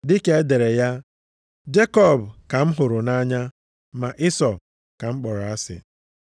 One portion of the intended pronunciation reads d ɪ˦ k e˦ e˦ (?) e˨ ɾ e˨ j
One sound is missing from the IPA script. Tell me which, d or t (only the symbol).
d